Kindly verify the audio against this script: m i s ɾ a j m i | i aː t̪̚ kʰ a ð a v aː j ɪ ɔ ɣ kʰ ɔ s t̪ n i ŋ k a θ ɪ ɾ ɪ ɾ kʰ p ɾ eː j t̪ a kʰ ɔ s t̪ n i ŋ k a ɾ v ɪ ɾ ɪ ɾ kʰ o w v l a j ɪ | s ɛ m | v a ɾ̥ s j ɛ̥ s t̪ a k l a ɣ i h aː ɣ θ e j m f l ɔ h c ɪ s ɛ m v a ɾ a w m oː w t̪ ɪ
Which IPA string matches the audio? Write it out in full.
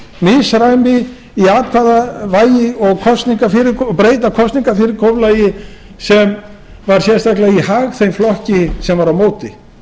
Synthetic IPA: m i s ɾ a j m ɪ | i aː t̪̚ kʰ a ð a v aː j ɪ ɔ ɣ kʰ ɔ s t̪ n i ŋ k a f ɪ ɾ ɪ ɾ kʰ p ɾ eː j t̪ a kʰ ɔ s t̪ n i ŋ k a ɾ f ɪ ɾ ɪ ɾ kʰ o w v l a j ɪ | s ɛ m | v a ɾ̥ s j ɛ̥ s t̪ a k l a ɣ i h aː ɣ θ e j m f l ɔ h c ɪ s ɛ m v a ɾ a w m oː w t̪ ɪ